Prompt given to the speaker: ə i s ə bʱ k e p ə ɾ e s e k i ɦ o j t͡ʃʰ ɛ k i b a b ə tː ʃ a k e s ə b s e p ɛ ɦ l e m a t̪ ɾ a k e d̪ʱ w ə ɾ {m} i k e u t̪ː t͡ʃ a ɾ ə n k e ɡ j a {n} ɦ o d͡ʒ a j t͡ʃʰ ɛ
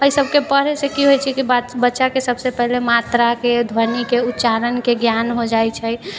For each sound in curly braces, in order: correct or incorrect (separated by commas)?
incorrect, correct